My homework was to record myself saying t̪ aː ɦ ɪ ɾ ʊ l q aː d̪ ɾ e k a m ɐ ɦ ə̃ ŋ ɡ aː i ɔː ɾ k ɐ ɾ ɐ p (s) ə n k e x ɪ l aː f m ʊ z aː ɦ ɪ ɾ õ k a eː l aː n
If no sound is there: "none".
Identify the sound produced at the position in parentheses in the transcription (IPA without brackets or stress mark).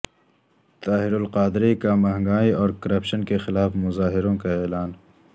ʃ